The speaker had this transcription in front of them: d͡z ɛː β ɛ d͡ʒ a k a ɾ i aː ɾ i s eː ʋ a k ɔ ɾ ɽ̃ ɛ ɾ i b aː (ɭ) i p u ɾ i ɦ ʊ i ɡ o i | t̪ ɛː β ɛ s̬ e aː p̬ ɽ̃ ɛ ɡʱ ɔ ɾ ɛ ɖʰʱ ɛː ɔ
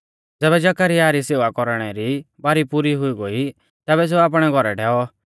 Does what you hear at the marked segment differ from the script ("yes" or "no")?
yes